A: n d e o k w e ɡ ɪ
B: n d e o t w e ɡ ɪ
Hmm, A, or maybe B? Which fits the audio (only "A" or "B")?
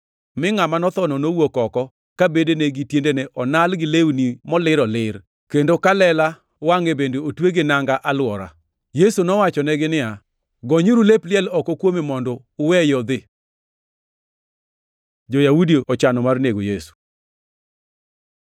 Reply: B